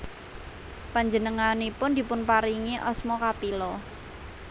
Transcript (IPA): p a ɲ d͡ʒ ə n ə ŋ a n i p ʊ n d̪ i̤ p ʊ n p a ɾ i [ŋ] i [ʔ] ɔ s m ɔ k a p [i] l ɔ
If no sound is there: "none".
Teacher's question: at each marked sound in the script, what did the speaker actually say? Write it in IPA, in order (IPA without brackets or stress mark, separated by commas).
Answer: ŋ, ʔ, i